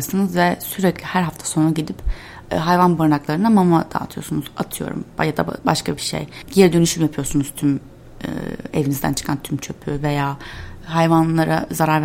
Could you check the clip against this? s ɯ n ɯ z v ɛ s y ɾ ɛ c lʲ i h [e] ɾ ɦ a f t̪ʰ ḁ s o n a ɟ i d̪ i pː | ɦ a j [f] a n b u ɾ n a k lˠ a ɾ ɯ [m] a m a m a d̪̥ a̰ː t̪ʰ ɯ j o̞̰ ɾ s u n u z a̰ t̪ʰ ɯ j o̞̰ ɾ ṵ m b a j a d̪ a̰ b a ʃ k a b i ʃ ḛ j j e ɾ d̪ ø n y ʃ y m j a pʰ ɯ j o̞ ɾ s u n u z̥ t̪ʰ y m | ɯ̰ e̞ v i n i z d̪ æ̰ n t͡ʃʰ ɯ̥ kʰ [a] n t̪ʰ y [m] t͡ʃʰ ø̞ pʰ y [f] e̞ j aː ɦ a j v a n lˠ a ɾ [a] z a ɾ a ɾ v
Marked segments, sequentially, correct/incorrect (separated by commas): incorrect, incorrect, incorrect, correct, correct, incorrect, correct